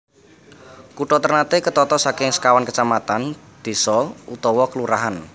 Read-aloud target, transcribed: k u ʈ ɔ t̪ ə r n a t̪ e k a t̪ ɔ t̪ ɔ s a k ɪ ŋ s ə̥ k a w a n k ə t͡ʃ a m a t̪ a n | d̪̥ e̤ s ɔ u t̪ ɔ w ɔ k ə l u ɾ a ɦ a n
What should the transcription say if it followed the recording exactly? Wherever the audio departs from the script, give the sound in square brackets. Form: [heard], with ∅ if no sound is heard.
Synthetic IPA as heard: k u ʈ ɔ t̪ ə r n a t̪ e k [ə] t̪ ɔ t̪ ɔ s a k ɪ ŋ s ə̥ k a w a n k ə t͡ʃ a m a t̪ a n | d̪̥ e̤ s ɔ u t̪ ɔ w ɔ k ə l u ɾ a ɦ a n